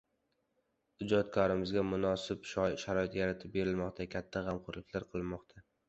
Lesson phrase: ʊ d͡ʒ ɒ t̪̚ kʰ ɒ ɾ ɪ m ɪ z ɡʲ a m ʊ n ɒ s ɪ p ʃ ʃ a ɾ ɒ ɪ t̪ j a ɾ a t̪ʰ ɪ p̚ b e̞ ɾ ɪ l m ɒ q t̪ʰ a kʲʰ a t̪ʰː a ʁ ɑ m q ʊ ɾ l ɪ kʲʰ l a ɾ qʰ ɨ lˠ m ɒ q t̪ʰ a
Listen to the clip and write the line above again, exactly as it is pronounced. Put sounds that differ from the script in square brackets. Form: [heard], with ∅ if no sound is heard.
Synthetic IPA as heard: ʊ d͡ʒ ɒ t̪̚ kʰ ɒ ɾ ɪ m ɪ z ɡʲ a m ʊ n ɒ s ɪ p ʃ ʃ a ɾ ɒ ɪ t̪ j a ɾ a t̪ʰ ɪ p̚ b e̞ ɾ ɪ l m ɒ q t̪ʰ a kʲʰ a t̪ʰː a ʁ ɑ m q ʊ ɾ l ɪ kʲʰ l a ɾ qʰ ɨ lˠ m ɒ q t̪ʰ a